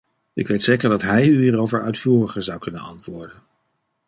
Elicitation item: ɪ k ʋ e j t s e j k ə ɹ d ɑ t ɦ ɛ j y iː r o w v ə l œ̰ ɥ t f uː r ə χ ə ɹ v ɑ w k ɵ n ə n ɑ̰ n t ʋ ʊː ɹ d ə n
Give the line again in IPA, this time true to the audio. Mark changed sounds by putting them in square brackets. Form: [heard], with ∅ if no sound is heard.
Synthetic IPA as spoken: ɪ k ʋ e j t s e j k ə ɹ d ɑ t ɦ ɛ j y iː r o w v ə [ɹ] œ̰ ɥ t f uː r ə χ ə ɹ [z] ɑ w k ɵ n ə n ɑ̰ n t ʋ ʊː ɹ d ə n